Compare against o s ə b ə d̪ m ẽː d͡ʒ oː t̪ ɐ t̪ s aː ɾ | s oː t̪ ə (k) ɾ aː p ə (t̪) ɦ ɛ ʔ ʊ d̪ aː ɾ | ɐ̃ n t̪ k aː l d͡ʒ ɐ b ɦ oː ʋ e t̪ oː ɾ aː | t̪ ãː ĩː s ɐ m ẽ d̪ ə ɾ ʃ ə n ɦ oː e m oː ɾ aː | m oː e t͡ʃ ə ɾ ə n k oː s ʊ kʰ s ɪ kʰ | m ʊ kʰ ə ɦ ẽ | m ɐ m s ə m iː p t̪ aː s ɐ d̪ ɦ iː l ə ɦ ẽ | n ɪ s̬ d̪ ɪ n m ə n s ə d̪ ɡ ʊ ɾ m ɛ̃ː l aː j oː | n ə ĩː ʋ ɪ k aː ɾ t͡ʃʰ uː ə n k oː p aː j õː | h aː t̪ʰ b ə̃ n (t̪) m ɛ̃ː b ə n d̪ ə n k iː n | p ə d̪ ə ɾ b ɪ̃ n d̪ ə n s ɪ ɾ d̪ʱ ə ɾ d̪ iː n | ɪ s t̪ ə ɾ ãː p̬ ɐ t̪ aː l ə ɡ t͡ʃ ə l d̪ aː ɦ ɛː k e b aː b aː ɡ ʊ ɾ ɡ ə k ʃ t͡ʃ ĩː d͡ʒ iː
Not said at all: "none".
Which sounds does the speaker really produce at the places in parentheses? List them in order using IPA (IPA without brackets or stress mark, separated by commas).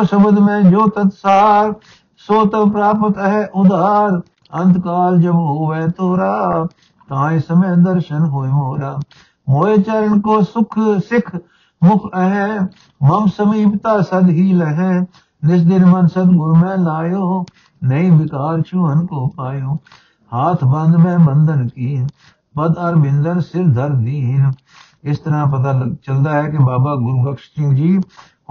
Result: p, t̪, d̪